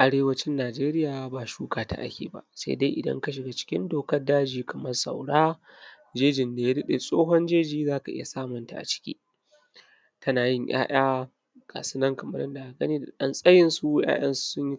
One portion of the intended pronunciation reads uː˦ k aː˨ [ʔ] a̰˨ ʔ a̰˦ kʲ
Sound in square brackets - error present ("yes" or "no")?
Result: yes